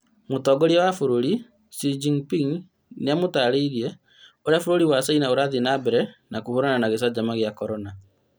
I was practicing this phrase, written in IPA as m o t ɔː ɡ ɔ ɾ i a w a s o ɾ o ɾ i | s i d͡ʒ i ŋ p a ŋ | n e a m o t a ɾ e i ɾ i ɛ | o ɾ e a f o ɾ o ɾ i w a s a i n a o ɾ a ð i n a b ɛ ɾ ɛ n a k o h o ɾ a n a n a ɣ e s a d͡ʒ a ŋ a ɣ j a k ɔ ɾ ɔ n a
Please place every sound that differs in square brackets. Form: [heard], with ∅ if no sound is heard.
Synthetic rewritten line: m o t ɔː ɡ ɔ ɾ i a w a [f] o ɾ o ɾ i | s i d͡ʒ i ŋ p [i] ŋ | n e a m o t a ɾ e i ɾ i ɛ | o ɾ e a f o ɾ o ɾ i w a s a i n a o ɾ a ð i n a b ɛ ɾ ɛ n a k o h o ɾ a n a n a ɣ e s a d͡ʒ a [m] a ɣ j a k ɔ ɾ ɔ n a